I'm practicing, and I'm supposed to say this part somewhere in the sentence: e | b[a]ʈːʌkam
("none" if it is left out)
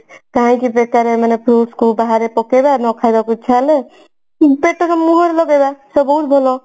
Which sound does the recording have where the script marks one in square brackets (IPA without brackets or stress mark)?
e